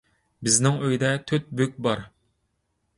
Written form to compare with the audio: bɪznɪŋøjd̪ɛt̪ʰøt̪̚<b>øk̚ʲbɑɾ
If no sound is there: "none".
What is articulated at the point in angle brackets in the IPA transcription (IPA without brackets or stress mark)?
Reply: b